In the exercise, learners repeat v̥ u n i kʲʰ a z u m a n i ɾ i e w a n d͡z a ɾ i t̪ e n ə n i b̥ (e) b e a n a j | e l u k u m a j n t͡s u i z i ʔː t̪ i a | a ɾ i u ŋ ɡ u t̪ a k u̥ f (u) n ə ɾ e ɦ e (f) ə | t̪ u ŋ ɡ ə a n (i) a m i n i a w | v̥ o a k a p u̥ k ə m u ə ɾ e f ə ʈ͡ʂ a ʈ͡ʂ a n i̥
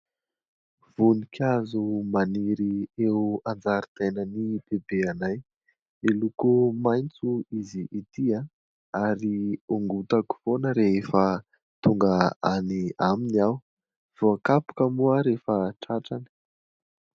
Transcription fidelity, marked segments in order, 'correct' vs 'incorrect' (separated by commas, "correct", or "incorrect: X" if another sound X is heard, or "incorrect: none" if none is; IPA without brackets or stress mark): correct, incorrect: o, correct, correct